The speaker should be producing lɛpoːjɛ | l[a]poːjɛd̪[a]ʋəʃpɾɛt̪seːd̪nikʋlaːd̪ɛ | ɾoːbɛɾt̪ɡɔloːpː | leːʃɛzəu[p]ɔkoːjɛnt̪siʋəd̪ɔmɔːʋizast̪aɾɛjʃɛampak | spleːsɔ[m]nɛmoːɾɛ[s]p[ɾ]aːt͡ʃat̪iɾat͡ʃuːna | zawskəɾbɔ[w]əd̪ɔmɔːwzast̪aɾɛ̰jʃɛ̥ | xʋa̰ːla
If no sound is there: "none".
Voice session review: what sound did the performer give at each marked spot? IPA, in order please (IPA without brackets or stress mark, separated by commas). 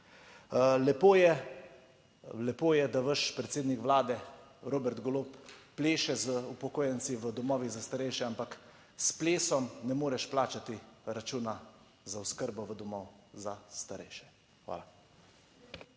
ɛ, a, p, m, ʃ, l, ʋ